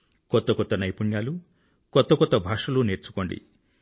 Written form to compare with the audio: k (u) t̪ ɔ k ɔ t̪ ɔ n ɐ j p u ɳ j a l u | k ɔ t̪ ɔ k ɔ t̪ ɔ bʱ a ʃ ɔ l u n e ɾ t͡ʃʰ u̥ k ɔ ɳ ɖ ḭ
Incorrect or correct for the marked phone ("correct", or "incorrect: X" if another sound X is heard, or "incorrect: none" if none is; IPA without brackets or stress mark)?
incorrect: ɔ